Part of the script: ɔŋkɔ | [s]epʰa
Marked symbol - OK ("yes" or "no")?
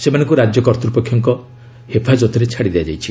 no